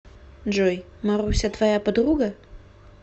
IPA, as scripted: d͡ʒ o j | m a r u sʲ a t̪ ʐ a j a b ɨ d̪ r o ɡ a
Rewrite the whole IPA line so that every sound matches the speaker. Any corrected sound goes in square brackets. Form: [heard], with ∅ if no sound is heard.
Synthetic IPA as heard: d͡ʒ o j | m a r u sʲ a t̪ [v] a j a [p] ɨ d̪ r [u] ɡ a